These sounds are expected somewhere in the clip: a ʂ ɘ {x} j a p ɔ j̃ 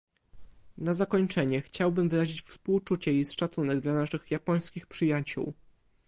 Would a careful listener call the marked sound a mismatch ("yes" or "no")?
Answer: no